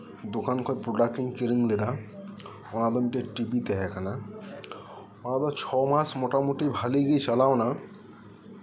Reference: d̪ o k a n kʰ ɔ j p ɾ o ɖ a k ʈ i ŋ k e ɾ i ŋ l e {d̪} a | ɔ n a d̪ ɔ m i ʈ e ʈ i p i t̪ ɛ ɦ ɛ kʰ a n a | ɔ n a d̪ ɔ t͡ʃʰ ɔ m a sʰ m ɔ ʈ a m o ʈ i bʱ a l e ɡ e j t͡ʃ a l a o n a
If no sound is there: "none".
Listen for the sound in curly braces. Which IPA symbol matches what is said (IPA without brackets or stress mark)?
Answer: d̪